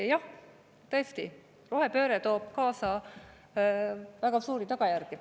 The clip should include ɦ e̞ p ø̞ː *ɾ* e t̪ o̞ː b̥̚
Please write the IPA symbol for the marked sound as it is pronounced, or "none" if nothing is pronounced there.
ɾ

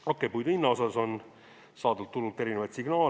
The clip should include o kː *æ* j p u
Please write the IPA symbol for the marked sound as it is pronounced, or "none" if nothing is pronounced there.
e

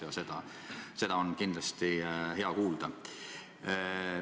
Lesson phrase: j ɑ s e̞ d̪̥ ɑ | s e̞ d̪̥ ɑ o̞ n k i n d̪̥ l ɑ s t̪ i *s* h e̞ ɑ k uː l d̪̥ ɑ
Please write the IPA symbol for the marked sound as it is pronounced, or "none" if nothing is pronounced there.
none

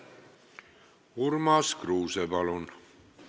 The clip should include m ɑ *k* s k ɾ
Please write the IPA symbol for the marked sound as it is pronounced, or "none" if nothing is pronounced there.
none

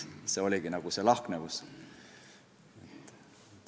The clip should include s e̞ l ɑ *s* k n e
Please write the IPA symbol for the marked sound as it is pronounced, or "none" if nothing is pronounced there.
h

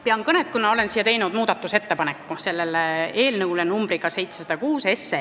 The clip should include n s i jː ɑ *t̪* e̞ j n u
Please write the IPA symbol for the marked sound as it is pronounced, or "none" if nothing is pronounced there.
t̪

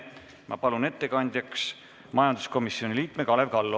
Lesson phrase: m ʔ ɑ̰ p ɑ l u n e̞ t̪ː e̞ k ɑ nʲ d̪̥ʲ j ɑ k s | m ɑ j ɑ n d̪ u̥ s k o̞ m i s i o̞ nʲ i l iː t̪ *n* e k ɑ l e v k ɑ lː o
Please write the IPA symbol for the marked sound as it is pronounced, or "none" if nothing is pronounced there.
m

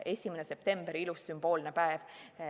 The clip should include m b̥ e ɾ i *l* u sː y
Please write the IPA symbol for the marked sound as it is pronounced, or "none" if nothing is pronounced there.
l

